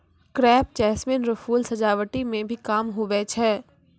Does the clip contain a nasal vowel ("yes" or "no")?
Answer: yes